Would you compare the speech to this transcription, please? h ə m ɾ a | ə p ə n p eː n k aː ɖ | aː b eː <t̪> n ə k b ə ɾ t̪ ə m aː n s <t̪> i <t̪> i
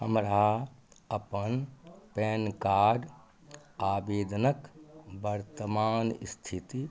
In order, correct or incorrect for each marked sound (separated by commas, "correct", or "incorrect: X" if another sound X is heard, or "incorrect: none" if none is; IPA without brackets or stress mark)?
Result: incorrect: d̪, incorrect: t̪ʰ, correct